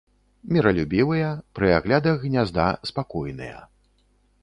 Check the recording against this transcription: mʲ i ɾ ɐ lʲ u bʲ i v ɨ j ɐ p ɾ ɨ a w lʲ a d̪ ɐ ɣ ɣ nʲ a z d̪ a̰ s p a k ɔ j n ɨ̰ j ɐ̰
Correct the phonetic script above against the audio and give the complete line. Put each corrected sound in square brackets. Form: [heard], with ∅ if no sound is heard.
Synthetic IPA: mʲ i ɾ ɐ lʲ u bʲ i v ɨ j ɐ p ɾ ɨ a [ɣ] lʲ a d̪ ɐ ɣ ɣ nʲ a z d̪ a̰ s p a k ɔ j n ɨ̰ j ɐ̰